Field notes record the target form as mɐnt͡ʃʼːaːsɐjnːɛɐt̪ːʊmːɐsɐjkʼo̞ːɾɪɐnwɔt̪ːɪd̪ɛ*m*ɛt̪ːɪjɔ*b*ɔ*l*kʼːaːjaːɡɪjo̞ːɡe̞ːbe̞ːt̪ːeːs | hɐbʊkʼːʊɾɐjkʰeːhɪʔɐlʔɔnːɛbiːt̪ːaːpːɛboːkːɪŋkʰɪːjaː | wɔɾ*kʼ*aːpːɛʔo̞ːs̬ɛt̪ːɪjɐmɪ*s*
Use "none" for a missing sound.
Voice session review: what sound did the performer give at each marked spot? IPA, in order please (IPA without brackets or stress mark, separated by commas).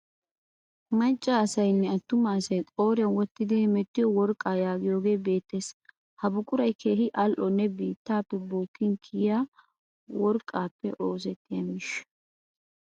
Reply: m, w, ɾ, kʼ, ʃ